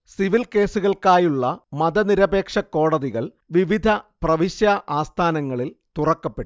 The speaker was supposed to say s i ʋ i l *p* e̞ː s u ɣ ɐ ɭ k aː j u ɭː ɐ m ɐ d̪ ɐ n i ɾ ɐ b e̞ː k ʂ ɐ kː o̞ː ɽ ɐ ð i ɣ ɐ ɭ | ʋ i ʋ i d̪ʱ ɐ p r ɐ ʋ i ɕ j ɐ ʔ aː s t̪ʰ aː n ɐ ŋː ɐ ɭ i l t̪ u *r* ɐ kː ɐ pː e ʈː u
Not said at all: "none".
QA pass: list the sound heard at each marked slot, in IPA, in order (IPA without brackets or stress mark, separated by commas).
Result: k, r